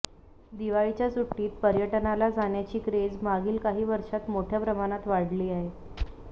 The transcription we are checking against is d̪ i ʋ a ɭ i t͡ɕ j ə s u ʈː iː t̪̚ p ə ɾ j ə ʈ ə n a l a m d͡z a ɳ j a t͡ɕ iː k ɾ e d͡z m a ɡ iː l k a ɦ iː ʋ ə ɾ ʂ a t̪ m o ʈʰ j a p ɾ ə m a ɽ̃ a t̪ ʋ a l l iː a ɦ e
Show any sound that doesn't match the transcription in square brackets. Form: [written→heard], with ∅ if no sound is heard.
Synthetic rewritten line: d̪ i ʋ a ɭ i t͡ɕ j [ə→a] s u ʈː iː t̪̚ p ə ɾ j ə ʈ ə n a l a [m→∅] d͡z a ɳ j a t͡ɕ iː k ɾ e d͡z m a ɡ iː l k a ɦ iː ʋ ə ɾ ʂ a t̪ m o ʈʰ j a p ɾ ə m a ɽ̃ a t̪ ʋ a [l→ɽ] l iː a ɦ e